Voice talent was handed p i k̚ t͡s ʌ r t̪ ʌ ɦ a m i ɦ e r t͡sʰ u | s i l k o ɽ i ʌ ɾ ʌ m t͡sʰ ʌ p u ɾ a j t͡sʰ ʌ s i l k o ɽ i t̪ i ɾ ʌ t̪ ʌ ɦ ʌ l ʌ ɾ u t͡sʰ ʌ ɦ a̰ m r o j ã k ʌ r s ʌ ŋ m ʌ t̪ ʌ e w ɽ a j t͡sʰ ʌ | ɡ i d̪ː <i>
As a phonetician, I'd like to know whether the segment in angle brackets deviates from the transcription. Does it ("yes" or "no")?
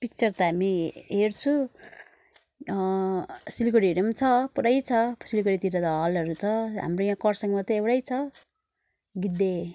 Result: yes